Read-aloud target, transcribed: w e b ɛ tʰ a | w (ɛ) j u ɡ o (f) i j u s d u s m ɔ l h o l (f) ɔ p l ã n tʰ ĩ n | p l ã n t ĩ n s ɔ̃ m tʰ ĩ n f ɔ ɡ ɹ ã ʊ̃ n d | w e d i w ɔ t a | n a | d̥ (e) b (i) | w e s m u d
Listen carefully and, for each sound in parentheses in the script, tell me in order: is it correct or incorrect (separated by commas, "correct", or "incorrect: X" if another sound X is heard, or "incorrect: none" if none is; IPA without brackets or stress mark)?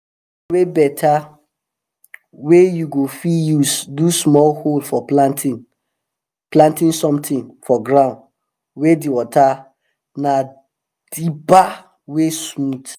incorrect: e, correct, correct, incorrect: i, incorrect: a